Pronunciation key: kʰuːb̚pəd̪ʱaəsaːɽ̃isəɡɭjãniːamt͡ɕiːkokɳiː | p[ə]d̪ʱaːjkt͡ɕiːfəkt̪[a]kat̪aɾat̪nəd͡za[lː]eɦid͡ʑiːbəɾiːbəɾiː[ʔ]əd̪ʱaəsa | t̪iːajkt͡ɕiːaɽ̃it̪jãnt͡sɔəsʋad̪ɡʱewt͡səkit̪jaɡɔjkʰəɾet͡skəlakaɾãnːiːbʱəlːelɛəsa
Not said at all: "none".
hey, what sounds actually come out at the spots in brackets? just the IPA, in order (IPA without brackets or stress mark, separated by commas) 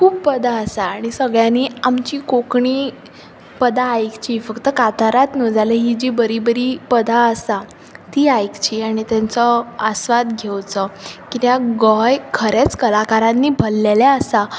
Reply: ə, ə, l, p